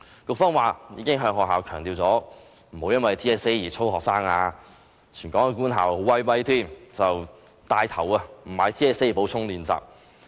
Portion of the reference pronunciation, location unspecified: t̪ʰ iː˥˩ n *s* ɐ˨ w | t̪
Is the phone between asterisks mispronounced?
yes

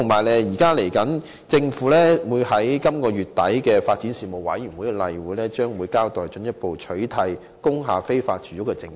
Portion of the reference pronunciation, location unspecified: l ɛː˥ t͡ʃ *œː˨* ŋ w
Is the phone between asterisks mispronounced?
yes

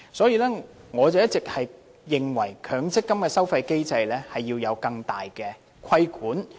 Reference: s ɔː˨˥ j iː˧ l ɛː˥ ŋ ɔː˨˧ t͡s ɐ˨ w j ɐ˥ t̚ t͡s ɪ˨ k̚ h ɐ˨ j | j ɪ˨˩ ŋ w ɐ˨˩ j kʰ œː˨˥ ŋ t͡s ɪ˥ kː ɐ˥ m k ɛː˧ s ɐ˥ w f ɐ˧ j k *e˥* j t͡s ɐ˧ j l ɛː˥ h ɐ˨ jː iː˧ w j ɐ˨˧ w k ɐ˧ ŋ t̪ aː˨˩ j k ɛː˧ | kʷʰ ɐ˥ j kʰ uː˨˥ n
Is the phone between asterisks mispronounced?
no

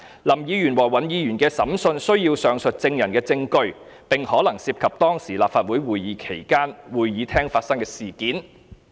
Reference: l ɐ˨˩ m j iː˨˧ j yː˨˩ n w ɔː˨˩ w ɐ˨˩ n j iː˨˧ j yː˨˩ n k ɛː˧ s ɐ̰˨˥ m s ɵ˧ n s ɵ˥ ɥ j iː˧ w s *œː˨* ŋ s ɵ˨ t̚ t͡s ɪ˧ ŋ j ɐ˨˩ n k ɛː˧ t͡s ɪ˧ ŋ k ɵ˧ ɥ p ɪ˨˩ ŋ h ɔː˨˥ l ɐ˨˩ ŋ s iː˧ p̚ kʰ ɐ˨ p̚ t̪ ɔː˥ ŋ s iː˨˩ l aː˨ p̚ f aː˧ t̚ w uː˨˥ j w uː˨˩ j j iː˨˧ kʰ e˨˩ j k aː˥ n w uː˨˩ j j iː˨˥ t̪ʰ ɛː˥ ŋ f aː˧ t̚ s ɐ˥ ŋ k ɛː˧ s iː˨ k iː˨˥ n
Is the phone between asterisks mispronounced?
no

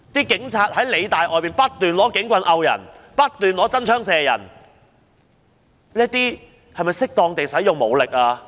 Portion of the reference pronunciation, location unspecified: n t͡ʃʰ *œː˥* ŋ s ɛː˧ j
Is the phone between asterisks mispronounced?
no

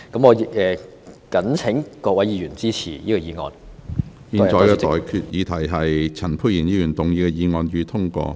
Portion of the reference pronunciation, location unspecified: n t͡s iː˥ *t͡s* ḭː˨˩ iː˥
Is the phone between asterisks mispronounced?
yes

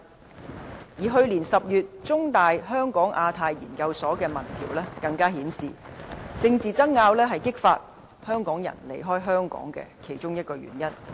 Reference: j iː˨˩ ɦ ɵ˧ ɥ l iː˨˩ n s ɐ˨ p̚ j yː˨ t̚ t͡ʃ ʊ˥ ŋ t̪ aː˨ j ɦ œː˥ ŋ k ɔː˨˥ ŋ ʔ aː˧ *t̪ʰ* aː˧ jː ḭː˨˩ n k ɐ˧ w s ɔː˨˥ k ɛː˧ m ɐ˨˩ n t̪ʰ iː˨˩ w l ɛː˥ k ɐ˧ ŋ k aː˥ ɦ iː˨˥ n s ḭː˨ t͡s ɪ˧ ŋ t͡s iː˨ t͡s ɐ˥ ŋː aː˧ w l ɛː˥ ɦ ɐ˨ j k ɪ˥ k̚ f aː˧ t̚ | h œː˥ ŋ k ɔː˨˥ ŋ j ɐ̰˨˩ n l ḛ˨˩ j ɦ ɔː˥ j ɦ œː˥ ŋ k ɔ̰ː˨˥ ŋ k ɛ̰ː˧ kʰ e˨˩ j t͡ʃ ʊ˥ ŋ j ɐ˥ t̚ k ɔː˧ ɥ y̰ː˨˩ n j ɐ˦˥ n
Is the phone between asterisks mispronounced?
no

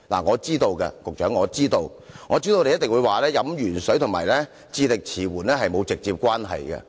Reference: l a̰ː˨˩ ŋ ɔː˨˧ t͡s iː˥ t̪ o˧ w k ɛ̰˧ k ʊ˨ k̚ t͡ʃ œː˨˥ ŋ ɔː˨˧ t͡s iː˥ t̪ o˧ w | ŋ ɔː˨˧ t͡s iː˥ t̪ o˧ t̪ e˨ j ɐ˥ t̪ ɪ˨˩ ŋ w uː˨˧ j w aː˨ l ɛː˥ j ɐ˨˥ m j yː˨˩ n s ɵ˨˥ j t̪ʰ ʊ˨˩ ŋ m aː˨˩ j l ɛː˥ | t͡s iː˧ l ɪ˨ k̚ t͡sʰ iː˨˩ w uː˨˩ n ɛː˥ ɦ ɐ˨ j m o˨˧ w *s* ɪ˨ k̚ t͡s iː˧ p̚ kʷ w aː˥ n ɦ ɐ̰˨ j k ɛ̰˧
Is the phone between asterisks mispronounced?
yes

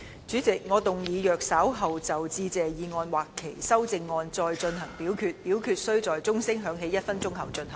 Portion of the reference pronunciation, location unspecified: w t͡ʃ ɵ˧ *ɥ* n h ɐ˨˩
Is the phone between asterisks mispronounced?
yes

